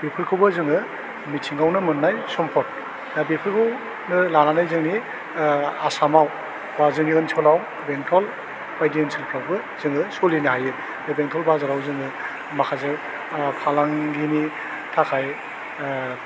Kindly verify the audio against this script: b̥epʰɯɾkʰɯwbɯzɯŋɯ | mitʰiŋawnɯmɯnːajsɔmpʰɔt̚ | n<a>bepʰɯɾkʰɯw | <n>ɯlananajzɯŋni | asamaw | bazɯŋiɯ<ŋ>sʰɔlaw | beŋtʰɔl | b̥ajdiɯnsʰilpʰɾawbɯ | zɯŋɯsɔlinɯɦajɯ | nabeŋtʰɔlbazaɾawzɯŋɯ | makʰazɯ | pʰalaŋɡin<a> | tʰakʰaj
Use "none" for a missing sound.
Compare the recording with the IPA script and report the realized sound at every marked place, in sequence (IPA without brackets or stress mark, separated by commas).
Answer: a, n, n, i